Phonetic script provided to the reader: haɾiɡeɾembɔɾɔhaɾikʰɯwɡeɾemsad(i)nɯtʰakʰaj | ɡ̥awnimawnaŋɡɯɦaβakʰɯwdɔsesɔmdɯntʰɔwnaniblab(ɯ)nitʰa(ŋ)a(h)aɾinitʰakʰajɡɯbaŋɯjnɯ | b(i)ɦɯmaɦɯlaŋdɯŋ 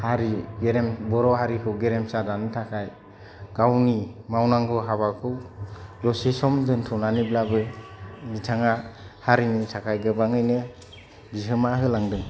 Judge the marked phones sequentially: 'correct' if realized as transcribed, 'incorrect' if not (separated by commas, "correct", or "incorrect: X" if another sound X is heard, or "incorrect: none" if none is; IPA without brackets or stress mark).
incorrect: a, correct, correct, correct, correct